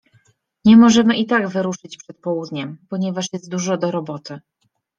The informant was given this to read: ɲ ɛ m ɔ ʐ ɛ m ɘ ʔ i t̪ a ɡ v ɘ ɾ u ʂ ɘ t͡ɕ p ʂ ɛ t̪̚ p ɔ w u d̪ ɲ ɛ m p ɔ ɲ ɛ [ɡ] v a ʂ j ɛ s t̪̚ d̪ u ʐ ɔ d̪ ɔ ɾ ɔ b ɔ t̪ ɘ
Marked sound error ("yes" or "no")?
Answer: yes